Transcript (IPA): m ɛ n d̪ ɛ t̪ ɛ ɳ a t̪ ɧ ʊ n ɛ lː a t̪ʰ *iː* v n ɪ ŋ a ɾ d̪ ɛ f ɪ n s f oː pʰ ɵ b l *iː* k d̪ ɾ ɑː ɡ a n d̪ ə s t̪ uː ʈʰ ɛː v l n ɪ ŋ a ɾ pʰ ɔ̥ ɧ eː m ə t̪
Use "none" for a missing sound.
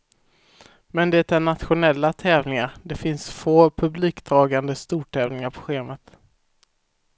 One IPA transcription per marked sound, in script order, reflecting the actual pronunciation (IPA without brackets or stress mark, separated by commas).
ɛː, iː